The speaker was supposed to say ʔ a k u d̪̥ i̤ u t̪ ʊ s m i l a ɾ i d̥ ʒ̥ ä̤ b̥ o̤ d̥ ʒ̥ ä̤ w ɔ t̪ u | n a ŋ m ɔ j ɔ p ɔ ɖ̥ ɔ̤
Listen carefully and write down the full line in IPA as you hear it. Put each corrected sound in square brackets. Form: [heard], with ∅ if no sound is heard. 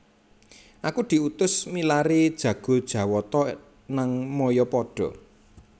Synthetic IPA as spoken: ʔ a k u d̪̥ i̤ u t̪ ʊ s m i l a ɾ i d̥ ʒ̥ ä̤ [ɡ̥] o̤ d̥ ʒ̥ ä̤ w ɔ t̪ [ɔ] | n a ŋ m ɔ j ɔ p ɔ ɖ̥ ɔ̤